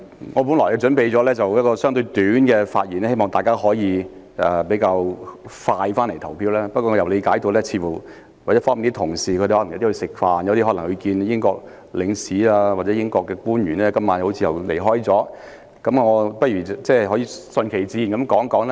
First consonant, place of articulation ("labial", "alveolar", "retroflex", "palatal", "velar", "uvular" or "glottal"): velar